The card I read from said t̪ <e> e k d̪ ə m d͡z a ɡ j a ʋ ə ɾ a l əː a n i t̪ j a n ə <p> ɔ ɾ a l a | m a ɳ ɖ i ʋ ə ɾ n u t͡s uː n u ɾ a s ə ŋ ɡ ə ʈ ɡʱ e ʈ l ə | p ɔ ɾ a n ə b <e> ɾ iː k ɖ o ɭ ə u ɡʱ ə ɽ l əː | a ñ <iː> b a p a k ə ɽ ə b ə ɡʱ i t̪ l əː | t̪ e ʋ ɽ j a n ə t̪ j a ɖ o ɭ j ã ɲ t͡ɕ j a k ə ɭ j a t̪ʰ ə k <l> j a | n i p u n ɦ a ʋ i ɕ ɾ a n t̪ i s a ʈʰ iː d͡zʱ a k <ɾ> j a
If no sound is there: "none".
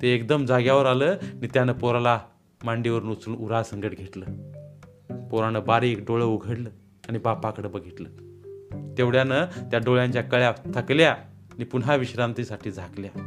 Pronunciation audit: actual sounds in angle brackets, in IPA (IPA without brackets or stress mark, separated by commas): e, p, a, i, l, l